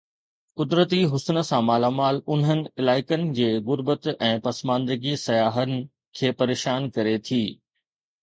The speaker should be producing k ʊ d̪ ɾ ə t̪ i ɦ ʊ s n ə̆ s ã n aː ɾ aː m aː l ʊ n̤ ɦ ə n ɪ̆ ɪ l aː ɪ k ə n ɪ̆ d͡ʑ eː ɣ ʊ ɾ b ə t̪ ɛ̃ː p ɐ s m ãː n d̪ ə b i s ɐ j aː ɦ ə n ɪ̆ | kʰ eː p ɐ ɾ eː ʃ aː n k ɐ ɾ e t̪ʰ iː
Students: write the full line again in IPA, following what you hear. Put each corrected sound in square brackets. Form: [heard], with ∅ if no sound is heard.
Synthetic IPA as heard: k ʊ d̪ ɾ ə t̪ i ɦ ʊ s n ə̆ s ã [m] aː [l] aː m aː l ʊ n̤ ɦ ə n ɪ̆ ɪ l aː ɪ k ə n ɪ̆ d͡ʑ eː ɣ ʊ ɾ b ə t̪ ɛ̃ː p ɐ s m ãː n d̪ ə [ɡ] i s ɐ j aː ɦ ə n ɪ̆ | kʰ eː p ɐ ɾ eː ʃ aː n k ɐ ɾ e t̪ʰ iː